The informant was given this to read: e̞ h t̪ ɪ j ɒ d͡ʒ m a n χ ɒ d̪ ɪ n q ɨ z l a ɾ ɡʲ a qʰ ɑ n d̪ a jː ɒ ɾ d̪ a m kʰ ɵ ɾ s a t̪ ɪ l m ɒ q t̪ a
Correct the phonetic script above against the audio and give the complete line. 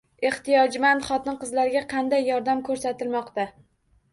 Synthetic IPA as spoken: e̞ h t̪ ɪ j ɒ d͡ʒ m a n χ ɒ t̪ ɪ n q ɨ z l a ɾ ɡʲ a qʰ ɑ n d̪ a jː ɒ ɾ d̪ a m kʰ ɵ ɾ s a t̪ ɪ l m ɒ q t̪ a